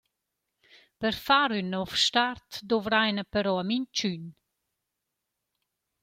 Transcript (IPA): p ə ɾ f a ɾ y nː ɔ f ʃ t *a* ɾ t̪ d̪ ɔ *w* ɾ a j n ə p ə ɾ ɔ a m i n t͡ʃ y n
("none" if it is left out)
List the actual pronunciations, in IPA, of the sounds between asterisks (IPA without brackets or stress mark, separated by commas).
a, v